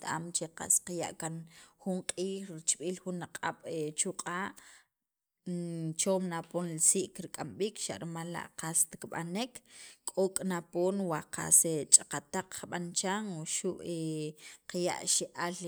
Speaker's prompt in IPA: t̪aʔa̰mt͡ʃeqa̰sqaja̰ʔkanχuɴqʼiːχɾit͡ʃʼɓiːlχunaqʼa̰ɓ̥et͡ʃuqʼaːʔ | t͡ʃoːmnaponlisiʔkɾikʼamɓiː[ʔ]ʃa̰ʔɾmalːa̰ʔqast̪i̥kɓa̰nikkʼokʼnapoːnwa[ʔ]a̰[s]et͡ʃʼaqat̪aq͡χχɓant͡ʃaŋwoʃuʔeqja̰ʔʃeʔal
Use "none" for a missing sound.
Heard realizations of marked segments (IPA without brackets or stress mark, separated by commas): k, q, s